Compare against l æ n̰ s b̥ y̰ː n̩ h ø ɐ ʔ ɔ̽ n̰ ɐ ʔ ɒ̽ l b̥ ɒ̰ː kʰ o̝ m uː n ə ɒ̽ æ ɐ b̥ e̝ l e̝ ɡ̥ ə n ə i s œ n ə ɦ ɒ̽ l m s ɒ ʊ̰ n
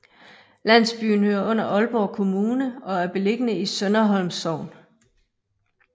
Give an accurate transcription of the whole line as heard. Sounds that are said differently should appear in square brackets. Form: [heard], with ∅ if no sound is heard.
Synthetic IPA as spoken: l æ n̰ s b̥ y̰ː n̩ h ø ɐ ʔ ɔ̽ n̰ ɐ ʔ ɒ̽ l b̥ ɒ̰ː kʰ o̝ m uː n ə ɒ̽ æ ɐ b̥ e̝ l e̝ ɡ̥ ə n ə i s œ n [ɐ] ɦ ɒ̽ l m s ɒ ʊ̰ n